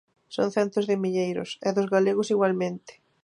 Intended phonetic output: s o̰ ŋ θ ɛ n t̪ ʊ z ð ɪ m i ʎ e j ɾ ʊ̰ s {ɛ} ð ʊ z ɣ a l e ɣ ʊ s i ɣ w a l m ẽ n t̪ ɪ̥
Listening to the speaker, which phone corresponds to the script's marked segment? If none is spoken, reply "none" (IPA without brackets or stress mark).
ɛ